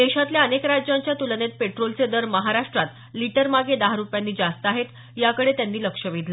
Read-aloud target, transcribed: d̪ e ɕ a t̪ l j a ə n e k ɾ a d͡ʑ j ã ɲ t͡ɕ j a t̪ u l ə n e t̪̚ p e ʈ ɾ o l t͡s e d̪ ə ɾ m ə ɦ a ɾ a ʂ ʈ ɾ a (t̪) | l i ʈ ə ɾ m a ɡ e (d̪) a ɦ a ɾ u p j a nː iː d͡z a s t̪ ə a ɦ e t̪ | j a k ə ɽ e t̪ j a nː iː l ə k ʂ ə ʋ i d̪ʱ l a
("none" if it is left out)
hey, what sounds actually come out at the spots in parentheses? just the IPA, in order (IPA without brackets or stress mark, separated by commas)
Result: t̪, d̪